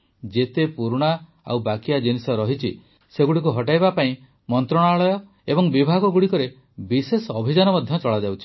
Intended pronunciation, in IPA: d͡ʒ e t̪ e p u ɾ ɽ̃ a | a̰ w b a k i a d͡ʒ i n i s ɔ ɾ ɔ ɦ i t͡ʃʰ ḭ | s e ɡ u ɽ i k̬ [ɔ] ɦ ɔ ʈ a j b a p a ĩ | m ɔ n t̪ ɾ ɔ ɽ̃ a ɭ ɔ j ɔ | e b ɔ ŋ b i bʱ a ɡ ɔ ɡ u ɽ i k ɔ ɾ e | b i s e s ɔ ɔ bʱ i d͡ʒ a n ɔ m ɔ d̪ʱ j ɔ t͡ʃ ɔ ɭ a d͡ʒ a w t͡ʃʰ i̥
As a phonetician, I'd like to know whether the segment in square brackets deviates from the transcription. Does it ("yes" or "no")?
yes